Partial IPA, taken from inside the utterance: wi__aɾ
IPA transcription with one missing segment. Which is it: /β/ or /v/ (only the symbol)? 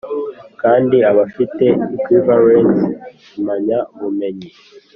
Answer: v